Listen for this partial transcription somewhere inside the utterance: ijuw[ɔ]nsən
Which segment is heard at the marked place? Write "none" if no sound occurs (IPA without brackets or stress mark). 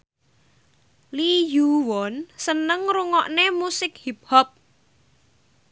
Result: ɔ